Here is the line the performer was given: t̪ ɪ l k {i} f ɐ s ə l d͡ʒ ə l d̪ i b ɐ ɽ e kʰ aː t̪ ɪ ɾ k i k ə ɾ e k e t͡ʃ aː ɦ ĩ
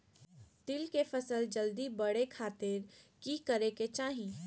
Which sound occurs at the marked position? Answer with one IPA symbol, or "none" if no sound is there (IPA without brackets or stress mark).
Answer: e